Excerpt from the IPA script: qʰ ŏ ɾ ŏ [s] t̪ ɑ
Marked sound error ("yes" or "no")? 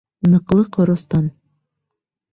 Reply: no